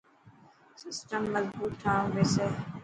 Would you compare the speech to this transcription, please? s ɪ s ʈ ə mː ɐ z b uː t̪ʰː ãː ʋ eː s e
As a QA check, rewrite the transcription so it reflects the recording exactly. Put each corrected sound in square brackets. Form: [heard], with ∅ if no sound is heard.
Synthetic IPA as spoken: s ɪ s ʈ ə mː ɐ z b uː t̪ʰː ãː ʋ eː s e